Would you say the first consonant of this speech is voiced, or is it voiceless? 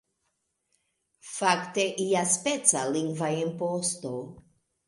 voiceless